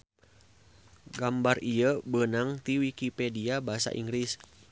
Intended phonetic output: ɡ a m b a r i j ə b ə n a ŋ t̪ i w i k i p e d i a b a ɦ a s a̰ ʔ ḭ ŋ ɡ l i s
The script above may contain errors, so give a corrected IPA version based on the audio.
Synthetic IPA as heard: ɡ a m b a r i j ə b ə n a ŋ t̪ i w i k i p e d i a b a ɦ a s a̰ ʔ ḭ ŋ ɡ ɾ i s